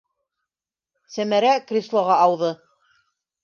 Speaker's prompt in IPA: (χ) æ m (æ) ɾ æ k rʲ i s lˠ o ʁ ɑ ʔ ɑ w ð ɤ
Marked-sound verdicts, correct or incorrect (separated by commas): incorrect, correct